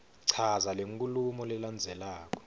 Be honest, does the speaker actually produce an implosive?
no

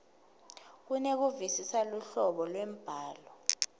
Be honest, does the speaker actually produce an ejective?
no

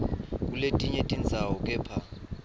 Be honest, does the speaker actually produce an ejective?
yes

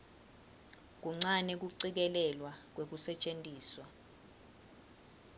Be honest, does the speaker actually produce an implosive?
no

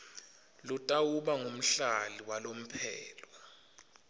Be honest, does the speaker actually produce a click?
no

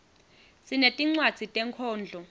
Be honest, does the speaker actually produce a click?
yes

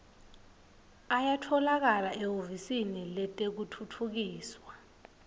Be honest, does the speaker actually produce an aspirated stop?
yes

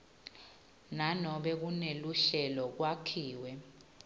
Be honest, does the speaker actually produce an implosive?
yes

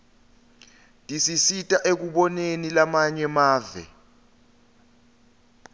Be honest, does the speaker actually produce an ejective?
yes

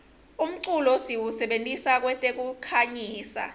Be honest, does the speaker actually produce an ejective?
yes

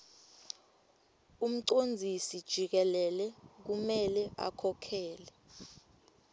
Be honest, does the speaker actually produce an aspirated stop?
yes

